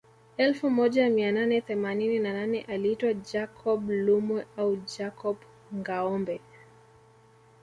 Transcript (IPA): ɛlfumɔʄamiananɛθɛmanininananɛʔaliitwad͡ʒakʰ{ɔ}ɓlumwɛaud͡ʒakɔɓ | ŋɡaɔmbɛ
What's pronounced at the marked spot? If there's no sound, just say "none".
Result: ɔ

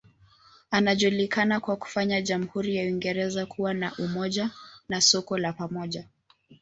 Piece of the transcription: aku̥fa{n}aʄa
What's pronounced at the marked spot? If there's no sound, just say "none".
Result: ɲ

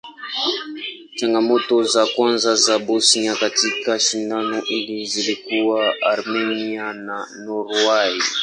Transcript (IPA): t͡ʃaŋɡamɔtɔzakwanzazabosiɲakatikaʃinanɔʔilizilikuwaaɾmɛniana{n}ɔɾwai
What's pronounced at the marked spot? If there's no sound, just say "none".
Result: n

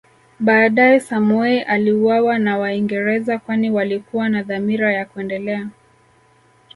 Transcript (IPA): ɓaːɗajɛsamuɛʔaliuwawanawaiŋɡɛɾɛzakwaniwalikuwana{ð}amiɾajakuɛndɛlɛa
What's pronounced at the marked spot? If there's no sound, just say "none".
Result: ð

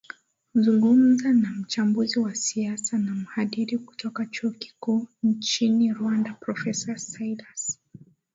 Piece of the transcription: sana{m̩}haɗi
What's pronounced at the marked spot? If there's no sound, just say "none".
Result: m̩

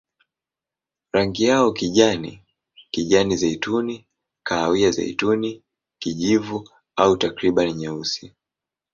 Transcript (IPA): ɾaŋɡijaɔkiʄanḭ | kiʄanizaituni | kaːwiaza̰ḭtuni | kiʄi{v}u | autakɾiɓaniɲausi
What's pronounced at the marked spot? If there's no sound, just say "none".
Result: v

